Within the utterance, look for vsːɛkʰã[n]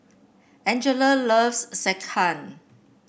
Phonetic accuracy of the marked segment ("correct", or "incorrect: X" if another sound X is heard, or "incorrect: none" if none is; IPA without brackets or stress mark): correct